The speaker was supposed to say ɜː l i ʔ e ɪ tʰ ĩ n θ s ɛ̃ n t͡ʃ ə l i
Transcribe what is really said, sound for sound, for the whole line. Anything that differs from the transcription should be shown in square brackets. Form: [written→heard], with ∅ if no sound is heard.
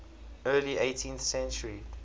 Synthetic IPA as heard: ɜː l i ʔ e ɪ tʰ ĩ n θ s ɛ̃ n t͡ʃ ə [l→ɹ] i